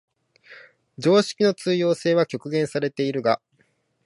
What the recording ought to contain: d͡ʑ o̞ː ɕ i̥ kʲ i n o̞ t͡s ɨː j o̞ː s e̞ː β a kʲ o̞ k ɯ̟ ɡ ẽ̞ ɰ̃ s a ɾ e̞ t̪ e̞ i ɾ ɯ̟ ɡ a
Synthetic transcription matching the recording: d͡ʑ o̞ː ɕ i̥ kʲ i n o̞ t͡s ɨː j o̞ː s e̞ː β a kʲ o̞ k ɯ̟ ɡ ẽ̞ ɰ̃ s a ɾ e̞ t̪ e̞ i ɾ ɯ̟ ɡ a